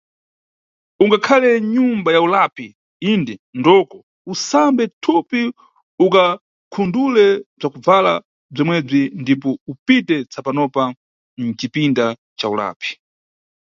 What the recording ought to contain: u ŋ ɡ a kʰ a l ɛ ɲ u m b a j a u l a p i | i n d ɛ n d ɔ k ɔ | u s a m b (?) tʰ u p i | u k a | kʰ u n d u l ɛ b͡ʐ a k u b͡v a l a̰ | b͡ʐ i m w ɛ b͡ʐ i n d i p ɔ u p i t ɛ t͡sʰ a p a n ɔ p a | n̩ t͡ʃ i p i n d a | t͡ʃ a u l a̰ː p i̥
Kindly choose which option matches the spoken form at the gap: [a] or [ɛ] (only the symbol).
ɛ